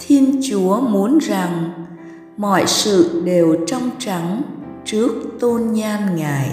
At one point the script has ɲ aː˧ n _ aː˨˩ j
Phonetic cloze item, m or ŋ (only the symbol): ŋ